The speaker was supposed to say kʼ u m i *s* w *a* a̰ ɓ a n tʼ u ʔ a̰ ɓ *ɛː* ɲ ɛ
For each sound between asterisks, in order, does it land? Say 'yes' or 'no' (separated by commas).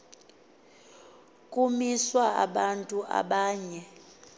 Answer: yes, yes, no